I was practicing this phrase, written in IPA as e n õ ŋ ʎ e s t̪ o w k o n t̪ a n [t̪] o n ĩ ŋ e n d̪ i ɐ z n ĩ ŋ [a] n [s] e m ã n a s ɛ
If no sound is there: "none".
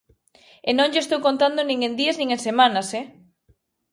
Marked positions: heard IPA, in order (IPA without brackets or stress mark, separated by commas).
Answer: d̪, e, s